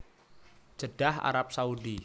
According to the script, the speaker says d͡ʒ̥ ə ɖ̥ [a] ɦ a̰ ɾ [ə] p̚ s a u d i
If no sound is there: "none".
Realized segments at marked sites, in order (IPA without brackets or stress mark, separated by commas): a, a